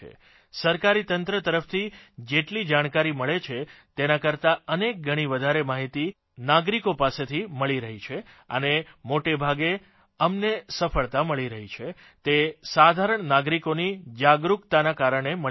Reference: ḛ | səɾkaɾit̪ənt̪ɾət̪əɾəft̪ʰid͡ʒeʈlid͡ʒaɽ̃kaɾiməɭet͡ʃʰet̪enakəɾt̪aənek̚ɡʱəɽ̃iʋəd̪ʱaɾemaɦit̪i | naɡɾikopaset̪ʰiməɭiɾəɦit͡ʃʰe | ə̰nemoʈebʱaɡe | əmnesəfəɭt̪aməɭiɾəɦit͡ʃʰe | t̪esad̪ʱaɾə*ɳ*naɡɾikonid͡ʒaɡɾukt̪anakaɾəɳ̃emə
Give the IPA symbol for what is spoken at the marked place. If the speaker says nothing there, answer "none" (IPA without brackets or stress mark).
ɳ